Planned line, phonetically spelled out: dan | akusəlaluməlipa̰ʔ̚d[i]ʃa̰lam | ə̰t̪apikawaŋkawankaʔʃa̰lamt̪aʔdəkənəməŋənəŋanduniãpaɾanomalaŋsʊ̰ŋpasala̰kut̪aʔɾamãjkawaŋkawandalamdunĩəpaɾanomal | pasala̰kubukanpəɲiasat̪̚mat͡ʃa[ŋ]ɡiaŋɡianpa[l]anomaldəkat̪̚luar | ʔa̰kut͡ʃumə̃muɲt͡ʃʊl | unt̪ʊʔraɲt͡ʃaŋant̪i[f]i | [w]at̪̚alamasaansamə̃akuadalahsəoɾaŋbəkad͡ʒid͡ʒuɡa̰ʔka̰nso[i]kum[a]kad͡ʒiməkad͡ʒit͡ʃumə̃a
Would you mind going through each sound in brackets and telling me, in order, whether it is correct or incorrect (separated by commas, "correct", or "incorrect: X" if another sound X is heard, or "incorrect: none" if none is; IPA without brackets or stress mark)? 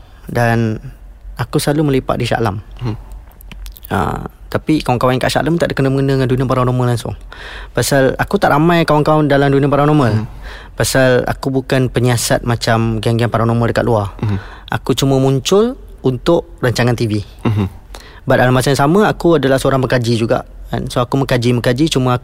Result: correct, incorrect: m, incorrect: ɾ, incorrect: v, incorrect: b, incorrect: a, incorrect: ə